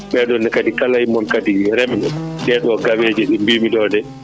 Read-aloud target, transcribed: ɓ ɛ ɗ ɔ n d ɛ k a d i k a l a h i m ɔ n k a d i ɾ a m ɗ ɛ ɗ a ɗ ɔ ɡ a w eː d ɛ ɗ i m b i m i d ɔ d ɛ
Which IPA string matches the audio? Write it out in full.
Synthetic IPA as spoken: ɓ ɛ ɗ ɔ n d ɛ k a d i k a l a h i m ɔ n k a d i ɾ ɛ m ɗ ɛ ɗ ɛ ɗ ɔ ɡ a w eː d͡ʒ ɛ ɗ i m b i m i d ɔ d ɛ